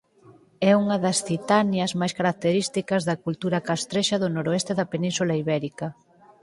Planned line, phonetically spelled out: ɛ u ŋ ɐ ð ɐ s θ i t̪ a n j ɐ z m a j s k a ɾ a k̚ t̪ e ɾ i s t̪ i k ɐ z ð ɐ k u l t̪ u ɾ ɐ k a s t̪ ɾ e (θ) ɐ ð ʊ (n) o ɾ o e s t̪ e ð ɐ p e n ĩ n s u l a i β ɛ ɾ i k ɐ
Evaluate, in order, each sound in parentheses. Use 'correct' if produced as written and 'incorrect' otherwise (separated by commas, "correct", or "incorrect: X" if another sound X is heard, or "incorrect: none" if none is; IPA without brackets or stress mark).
incorrect: ʃ, correct